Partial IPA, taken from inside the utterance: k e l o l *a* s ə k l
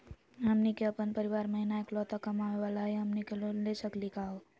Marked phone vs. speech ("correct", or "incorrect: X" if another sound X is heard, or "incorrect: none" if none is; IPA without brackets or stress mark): incorrect: e